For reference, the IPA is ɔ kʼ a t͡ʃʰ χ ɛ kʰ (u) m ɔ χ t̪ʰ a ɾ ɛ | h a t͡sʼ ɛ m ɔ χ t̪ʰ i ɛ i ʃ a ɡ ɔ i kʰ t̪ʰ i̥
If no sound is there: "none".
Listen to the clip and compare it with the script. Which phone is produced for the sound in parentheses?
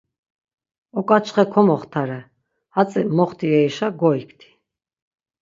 ɔ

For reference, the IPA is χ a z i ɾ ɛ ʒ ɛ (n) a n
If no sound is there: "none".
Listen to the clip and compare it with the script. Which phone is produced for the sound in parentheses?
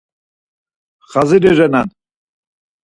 n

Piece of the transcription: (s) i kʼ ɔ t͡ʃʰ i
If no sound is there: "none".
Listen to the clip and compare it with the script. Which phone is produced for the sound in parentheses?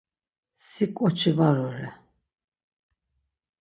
s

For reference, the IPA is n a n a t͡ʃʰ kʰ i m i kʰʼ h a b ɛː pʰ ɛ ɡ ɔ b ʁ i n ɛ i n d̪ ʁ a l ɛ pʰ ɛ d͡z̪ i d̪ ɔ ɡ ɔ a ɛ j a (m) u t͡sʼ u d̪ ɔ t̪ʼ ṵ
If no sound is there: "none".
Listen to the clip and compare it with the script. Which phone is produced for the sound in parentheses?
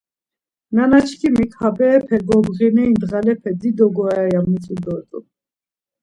m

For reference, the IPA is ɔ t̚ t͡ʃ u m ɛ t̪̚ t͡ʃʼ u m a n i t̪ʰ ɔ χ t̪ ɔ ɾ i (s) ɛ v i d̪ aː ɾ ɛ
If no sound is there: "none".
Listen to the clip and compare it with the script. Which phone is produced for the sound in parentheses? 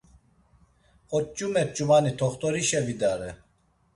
ʃ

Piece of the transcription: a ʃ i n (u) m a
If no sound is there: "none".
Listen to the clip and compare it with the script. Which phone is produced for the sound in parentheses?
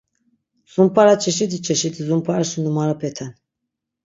u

